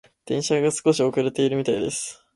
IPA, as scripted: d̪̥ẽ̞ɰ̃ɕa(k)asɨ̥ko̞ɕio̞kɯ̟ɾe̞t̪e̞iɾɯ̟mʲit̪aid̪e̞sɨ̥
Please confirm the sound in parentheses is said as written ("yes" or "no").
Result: no